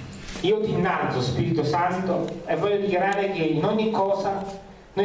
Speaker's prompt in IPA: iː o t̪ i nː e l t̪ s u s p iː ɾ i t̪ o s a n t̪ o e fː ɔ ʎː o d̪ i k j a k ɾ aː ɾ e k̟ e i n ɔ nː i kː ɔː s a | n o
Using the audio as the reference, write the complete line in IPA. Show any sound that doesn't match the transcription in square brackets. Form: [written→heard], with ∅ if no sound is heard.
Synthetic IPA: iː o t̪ i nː [e→a] l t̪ s [u→o] s p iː ɾ i t̪ o s a n t̪ o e [fː→vː] ɔ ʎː o d̪ i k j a [k→∅] ɾ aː ɾ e k̟ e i n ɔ [nː→ɲː] i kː ɔː s a | n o